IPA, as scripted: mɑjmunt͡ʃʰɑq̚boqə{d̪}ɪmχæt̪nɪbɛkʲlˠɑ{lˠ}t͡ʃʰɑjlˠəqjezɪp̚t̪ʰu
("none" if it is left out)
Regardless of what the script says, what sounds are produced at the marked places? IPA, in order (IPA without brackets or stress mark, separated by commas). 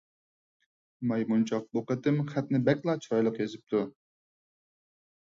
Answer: t̪, none